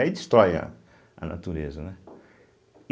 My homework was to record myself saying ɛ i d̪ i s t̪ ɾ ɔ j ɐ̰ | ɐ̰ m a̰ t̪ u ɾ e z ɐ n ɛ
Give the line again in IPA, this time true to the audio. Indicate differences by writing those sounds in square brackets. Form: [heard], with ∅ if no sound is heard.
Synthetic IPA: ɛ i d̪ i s t̪ ɾ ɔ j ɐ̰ | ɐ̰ [n] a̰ t̪ u ɾ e z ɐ n ɛ